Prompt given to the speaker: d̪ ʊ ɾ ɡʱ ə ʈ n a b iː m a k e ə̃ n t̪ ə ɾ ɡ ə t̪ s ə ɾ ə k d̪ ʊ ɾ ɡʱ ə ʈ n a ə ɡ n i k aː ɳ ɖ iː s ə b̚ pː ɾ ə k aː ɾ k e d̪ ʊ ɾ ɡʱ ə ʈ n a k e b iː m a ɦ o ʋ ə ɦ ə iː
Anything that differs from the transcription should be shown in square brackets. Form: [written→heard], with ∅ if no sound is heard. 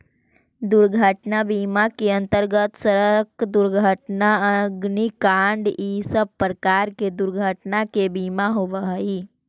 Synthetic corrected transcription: d̪ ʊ ɾ ɡʱ ə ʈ n a b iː m a k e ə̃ n t̪ ə ɾ ɡ ə t̪ s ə ɾ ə k d̪ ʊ ɾ ɡʱ ə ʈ n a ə ɡ n i k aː ɳ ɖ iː s ə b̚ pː ɾ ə k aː ɾ k e d̪ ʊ ɾ ɡʱ ə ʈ n a k e b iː m a ɦ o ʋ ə ɦ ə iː

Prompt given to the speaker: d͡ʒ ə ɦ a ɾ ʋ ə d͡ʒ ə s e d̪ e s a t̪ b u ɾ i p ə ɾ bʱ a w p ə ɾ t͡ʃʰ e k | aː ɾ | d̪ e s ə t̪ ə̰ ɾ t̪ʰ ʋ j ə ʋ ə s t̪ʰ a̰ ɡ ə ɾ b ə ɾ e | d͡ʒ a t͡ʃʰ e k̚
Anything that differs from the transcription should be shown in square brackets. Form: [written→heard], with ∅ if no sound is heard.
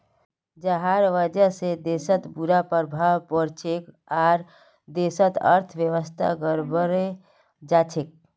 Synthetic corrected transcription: d͡ʒ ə ɦ a ɾ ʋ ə d͡ʒ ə s e d̪ e s [a→ə] t̪ b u ɾ [i→a] p ə ɾ bʱ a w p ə ɾ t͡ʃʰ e k | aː ɾ | d̪ e s ə t̪ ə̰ ɾ t̪ʰ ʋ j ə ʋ ə s t̪ʰ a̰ ɡ ə ɾ b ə ɾ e | d͡ʒ a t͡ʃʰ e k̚

